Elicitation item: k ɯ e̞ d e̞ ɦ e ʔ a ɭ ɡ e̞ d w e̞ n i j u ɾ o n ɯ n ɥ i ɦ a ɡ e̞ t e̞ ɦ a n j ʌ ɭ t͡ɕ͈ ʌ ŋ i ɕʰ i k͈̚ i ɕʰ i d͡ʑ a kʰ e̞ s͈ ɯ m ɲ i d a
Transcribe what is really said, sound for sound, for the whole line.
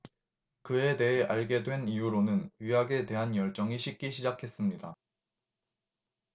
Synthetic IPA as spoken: k ɯ e̞ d e̞ ɦ e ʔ a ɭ ɡ e̞ d w e̞ n i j u ɾ o n ɯ n ɥ i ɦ a ɡ e̞ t e̞ ɦ a n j ʌ ɭ t͡ɕ͈ ʌ ŋ i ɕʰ i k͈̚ i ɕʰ i d͡ʑ a kʰ e̞ s͈ ɯ m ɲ i d a